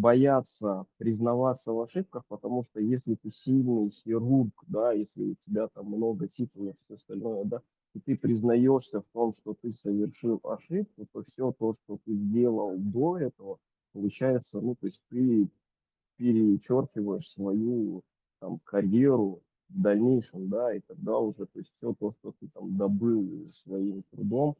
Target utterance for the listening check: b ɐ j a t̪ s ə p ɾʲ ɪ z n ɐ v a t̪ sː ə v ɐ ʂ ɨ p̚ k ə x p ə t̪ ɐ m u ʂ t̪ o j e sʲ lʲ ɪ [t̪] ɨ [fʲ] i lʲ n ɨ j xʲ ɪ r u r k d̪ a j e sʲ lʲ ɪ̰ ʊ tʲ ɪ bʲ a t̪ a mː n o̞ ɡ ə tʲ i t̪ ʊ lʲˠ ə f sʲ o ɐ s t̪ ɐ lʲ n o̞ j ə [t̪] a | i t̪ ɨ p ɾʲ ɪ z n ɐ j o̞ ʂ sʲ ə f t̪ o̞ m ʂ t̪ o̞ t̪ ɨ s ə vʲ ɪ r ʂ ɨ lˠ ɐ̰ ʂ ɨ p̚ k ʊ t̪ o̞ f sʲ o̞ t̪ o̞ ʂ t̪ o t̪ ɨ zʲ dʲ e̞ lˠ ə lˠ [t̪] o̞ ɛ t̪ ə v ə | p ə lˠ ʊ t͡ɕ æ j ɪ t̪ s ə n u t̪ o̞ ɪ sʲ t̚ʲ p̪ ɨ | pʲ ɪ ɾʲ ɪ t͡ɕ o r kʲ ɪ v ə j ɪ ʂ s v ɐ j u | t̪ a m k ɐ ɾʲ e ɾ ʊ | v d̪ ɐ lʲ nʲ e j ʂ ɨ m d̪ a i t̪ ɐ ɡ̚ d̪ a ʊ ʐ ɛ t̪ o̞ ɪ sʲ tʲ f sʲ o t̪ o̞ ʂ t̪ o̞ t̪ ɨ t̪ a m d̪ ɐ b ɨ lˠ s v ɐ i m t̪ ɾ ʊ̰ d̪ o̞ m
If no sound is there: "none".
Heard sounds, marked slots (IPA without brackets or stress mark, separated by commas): t̪, sʲ, d̪, d̪